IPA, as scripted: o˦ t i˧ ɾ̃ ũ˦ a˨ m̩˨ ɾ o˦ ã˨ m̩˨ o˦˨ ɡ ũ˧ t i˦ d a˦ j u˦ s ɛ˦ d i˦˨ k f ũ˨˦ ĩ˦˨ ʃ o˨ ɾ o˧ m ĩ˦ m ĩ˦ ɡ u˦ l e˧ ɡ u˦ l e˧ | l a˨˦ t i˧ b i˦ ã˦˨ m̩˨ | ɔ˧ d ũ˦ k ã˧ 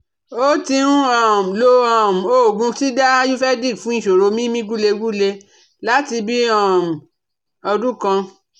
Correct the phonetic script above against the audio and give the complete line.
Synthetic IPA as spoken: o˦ t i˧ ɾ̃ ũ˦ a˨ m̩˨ l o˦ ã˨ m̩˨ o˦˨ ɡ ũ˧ t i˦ d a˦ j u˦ f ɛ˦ d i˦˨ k f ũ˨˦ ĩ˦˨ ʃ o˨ ɾ o˧ m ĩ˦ m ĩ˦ ɡ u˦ l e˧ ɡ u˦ l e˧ | l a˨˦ t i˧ b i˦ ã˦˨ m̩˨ | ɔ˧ d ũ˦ k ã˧